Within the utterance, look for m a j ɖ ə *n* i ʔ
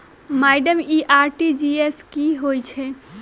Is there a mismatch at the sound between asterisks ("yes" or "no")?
yes